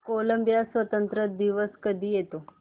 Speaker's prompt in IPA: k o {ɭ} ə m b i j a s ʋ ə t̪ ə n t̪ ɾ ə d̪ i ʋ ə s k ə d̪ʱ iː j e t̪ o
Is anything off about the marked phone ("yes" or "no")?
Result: yes